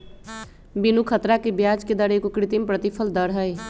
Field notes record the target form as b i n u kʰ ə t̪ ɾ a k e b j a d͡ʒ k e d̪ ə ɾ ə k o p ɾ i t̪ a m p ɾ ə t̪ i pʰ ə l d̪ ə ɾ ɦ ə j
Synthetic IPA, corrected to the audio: b i n u kʰ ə t̪ ɾ a k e b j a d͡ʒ k e d̪ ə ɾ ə k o k ɾ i t̪ i m p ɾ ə t̪ i pʰ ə l d̪ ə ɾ ɦ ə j